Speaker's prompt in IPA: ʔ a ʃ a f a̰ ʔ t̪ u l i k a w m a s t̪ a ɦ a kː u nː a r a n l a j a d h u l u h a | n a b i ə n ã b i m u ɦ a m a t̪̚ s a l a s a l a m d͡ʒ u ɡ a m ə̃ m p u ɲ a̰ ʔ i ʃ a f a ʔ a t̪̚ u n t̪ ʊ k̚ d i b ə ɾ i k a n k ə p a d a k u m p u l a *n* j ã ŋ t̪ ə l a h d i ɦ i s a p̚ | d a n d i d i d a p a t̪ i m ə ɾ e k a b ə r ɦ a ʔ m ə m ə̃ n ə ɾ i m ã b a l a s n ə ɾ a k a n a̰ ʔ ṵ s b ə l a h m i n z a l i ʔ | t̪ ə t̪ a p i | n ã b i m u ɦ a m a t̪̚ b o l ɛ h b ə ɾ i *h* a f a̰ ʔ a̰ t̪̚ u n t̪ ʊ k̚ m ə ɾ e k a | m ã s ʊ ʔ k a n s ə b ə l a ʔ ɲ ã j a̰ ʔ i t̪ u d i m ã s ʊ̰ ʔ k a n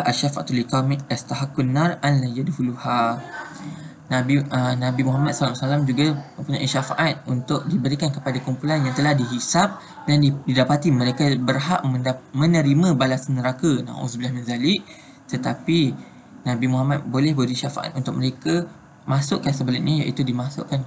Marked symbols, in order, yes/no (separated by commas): yes, no